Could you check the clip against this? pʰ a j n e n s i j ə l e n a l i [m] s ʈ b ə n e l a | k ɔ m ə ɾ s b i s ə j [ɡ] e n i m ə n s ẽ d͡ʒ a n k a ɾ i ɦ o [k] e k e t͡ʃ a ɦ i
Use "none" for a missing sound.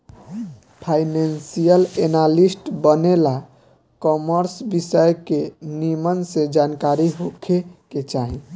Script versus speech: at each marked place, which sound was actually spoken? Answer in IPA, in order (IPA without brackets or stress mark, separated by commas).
none, k, kʰ